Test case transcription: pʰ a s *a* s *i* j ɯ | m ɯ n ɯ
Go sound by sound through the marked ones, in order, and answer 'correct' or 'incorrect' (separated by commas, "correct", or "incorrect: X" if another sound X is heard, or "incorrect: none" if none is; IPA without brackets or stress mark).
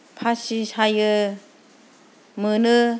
incorrect: i, incorrect: a